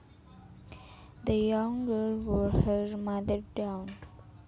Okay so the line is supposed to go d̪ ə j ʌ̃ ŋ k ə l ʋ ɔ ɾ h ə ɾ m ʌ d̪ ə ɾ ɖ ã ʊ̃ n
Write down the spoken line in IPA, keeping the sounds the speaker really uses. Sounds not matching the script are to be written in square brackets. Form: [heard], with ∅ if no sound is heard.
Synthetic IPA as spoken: d̪ ə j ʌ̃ ŋ [ɡ] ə l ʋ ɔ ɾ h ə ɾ m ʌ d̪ ə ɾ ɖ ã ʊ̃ n